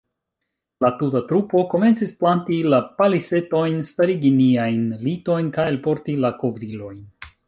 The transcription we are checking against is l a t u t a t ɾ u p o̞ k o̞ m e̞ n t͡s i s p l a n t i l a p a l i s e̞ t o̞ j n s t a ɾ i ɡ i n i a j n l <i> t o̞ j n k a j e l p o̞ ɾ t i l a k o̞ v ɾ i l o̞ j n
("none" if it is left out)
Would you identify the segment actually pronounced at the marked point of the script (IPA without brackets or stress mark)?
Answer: i